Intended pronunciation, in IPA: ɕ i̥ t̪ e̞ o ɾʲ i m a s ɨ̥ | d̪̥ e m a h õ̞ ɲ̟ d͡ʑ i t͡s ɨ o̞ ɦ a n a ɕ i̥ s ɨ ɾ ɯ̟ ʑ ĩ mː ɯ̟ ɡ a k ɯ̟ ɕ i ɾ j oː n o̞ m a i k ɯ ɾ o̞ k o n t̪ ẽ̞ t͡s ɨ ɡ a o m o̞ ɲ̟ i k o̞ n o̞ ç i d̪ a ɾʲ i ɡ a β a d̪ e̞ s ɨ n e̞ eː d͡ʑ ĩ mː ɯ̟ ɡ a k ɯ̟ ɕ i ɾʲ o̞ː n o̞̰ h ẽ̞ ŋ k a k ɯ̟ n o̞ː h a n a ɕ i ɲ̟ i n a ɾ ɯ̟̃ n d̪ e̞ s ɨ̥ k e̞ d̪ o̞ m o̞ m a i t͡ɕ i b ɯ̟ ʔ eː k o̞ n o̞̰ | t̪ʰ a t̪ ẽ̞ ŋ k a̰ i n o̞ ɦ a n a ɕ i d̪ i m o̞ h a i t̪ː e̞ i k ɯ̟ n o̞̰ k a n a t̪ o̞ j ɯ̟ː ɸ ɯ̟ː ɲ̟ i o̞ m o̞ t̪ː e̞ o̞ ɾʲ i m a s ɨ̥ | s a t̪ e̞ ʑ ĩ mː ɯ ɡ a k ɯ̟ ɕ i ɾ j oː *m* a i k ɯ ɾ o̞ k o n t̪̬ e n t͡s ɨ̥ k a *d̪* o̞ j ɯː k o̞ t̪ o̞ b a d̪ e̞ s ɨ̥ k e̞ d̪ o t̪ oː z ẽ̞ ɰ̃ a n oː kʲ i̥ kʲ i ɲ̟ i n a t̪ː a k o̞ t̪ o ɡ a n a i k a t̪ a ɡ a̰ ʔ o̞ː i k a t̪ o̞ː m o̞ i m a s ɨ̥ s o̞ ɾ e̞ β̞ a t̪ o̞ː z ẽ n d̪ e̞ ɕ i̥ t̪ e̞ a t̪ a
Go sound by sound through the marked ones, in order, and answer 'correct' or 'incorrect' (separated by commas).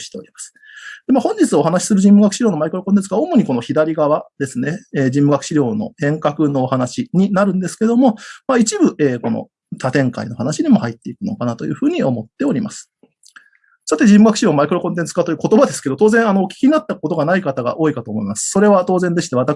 correct, incorrect